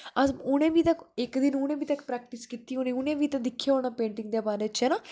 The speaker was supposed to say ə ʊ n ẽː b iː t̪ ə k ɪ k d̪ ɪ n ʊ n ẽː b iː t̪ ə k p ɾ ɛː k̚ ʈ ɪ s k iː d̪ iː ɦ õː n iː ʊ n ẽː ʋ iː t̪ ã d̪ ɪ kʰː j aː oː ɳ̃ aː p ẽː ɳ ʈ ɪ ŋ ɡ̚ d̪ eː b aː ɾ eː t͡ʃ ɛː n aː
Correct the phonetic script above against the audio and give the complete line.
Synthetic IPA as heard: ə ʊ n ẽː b iː t̪ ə k ɪ k d̪ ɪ n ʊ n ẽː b iː t̪ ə k p ɾ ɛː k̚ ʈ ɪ s k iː t̪ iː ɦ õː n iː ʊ n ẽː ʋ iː t̪ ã d̪ ɪ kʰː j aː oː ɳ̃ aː p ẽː ɳ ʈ ɪ ŋ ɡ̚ d̪ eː b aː ɾ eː t͡ʃ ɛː n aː